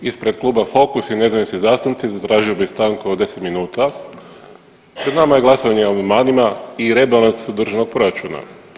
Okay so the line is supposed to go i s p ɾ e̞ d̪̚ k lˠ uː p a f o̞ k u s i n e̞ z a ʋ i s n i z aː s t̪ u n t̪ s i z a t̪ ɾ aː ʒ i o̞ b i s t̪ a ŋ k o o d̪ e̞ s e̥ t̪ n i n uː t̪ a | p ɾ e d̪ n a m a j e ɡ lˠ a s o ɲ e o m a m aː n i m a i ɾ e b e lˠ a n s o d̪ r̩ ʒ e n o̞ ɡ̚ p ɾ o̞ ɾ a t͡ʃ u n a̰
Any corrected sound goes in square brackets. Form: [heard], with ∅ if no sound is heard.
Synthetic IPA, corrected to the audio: i s p ɾ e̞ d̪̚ k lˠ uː [b] a f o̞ k u s i n e̞ z a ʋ i s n i z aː s t̪ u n t̪ s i z a t̪ ɾ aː ʒ i o̞ b i s t̪ a ŋ k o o d̪ e̞ s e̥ t̪ [m] i n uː t̪ a | p ɾ e d̪ n a m a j e ɡ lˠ a s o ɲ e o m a m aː n i m a i ɾ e b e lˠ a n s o d̪ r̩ ʒ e n o̞ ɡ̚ p ɾ o̞ ɾ a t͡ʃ u n a̰